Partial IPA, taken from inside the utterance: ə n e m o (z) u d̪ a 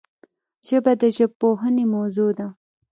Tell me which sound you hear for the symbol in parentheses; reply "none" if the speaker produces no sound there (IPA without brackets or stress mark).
z